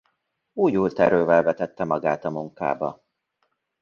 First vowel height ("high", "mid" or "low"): high